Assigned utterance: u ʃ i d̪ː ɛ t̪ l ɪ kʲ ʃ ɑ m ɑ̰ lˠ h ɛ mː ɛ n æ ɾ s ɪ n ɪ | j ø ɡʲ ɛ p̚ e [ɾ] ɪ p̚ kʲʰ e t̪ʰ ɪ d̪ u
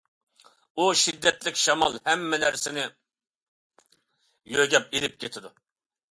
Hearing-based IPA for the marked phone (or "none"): l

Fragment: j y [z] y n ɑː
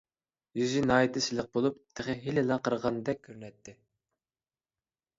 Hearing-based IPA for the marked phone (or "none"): z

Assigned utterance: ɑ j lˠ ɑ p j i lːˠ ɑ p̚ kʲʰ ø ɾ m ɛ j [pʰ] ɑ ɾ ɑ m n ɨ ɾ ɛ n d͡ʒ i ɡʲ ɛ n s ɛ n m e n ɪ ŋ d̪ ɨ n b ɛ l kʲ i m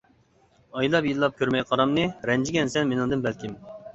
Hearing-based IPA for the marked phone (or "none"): qʰ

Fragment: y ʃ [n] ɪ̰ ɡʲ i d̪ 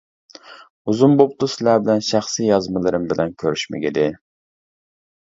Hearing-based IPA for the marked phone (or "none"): m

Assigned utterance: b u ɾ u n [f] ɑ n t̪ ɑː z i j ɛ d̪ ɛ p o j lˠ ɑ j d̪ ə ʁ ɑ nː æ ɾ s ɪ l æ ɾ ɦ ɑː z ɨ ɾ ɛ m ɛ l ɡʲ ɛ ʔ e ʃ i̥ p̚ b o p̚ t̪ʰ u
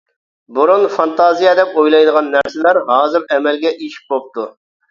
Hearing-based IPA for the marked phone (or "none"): f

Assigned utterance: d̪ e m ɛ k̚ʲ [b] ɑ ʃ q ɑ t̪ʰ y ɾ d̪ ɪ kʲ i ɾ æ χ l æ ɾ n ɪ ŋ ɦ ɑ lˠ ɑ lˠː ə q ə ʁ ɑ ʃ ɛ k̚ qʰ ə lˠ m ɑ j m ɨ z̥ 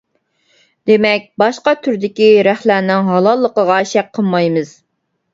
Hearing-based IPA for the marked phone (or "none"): b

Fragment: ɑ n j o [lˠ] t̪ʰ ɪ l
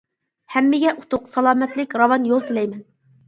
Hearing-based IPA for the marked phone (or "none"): lˠ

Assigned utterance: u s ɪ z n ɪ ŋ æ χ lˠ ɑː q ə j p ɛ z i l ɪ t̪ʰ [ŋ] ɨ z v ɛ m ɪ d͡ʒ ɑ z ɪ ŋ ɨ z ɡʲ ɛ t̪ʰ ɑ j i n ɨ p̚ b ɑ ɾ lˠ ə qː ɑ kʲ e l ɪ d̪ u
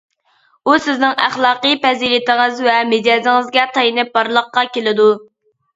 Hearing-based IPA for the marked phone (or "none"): ŋ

